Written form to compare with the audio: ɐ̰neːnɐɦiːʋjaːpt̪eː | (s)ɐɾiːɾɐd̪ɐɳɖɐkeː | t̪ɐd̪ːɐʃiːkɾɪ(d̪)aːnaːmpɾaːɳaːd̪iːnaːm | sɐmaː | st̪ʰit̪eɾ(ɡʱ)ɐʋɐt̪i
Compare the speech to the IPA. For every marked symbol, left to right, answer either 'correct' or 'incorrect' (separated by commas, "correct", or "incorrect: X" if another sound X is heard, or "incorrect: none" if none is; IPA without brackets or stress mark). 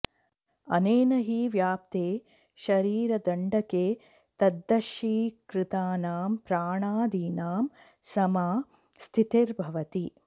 incorrect: ʃ, incorrect: t̪, incorrect: bʱ